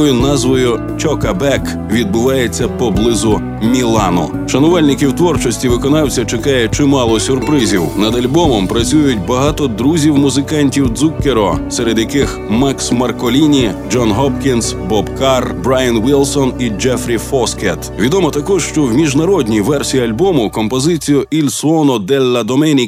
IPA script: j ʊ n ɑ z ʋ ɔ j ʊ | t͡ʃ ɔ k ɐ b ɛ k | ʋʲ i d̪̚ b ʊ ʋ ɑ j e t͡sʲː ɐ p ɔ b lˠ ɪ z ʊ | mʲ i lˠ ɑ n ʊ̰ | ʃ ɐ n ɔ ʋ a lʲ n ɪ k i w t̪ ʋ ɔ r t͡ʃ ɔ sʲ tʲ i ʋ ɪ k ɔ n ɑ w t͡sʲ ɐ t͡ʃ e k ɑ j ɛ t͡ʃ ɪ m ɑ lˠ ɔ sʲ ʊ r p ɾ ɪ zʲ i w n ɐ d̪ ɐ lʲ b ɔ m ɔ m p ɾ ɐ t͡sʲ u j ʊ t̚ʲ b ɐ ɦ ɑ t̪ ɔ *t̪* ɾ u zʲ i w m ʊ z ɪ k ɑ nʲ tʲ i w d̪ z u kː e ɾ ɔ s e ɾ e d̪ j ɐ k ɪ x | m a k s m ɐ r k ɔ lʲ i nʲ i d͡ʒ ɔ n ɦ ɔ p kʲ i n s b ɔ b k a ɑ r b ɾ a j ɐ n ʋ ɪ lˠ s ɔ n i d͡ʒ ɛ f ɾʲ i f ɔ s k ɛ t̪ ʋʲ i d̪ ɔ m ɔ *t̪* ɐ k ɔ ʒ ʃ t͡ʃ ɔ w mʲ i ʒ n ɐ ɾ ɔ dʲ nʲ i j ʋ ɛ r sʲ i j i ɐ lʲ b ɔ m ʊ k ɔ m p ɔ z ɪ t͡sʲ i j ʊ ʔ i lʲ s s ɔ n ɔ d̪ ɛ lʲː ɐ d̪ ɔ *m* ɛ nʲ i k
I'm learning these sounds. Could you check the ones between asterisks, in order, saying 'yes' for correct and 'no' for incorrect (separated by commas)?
no, yes, yes